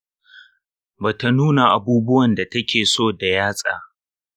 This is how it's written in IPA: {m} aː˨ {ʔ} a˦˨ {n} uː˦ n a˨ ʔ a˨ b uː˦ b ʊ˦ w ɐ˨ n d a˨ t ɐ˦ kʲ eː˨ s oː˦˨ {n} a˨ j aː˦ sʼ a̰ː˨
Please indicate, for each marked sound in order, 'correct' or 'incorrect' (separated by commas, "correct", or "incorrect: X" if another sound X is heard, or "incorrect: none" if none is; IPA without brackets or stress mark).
incorrect: b, incorrect: t, correct, incorrect: d